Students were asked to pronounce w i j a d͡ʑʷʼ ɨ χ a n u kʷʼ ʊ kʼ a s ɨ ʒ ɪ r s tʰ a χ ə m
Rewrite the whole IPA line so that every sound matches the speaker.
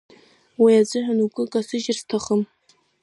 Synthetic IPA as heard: w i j a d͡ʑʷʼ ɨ ħ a n u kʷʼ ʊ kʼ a s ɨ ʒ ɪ r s tʰ a χ ə m